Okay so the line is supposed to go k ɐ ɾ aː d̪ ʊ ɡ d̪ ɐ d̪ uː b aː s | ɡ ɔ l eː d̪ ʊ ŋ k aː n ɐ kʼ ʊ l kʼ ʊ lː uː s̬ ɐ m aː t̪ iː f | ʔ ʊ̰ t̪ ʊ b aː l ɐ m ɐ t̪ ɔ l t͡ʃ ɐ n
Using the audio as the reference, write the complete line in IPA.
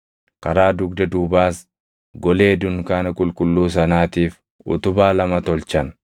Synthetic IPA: k ɐ ɾ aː d̪ ʊ ɡ d̪ ɐ d̪ uː b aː s | ɡ ɔ l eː d̪ ʊ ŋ k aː n ɐ kʼ ʊ l kʼ ʊ lː uː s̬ ɐ n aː t̪ iː f | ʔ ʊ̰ t̪ ʊ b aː l ɐ m ɐ t̪ ɔ l t͡ʃ ɐ n

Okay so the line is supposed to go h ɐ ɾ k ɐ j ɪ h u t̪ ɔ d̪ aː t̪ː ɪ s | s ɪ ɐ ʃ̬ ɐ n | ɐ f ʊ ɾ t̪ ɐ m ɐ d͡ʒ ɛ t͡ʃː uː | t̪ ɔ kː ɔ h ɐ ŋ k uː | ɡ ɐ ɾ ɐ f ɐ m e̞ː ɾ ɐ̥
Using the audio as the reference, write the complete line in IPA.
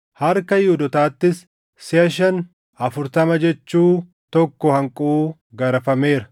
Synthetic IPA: h ɐ ɾ k ɐ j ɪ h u d̪ ɔ t̪ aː t̪ː ɪ s | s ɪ ɐ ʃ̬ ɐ n | ɐ f ʊ ɾ t̪ ɐ m ɐ d͡ʒ ɛ t͡ʃː uː | t̪ ɔ kː ɔ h ɐ ŋ kʼ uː | ɡ ɐ ɾ ɐ f ɐ m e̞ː ɾ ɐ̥

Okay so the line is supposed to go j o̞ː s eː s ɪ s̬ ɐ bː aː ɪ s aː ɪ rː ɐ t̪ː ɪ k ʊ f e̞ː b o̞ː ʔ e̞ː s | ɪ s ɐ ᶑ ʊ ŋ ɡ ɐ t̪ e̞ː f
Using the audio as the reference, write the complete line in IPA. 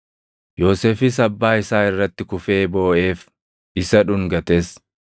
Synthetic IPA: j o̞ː s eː f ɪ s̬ ɐ bː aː ɪ s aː ɪ rː ɐ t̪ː ɪ k ʊ f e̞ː b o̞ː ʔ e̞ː f | ɪ s ɐ ᶑ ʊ ŋ ɡ ɐ t̪ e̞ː s

